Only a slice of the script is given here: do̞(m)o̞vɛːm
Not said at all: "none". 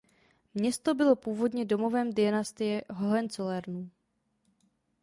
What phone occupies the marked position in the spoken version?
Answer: m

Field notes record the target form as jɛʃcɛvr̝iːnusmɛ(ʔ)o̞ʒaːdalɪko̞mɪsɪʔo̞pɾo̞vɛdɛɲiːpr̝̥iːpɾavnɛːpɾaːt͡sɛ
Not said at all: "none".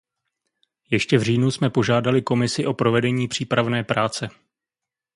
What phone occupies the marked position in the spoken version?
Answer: p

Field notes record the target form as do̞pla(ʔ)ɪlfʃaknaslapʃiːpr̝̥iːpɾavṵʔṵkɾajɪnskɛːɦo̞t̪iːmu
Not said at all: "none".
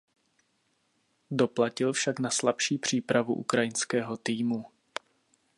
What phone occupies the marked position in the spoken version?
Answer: c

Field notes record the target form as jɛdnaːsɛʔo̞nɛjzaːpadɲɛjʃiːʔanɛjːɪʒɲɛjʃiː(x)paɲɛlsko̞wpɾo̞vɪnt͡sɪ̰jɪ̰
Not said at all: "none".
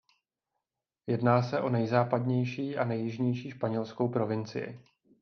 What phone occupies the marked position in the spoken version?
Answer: ʃ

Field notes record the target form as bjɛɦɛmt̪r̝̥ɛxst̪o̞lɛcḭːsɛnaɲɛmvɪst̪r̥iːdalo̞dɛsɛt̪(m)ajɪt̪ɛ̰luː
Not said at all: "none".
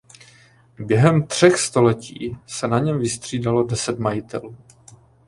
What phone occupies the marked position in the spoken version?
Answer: m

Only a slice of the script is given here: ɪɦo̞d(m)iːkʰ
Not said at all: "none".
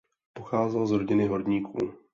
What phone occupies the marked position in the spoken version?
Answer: ɲ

